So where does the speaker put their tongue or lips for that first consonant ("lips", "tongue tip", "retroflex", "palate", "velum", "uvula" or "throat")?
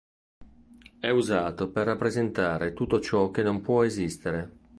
tongue tip